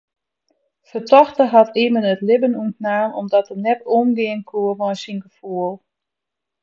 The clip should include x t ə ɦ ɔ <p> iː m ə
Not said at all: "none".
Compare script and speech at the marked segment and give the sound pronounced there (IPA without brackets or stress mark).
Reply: t